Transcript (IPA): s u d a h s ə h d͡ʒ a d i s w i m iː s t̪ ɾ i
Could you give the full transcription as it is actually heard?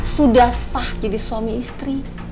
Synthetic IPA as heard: s u d a h s a h d͡ʒ a d i s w a m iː s t̪ ɾ i